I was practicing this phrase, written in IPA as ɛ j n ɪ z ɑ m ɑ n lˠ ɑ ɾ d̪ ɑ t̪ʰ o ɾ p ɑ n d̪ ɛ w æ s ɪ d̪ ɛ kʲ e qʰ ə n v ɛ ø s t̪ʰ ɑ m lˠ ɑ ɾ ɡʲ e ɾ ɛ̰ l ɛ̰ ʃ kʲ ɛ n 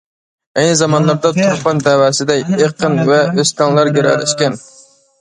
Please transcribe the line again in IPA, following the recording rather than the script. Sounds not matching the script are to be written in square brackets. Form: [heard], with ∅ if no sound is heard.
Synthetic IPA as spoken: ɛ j n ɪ z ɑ m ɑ n lˠ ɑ ɾ d̪ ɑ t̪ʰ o ɾ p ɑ n d̪ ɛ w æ s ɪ d̪ ɛ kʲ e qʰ ə n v ɛ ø s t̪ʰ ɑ [ŋ] lˠ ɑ ɾ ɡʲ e ɾ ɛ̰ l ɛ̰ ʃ kʲ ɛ n